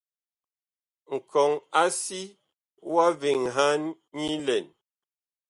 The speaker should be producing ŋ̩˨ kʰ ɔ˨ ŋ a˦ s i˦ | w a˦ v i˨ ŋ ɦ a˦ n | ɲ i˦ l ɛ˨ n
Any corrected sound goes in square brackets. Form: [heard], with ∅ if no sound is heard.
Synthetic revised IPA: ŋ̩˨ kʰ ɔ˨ ŋ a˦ s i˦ | w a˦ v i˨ ŋ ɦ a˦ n | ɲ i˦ l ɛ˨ n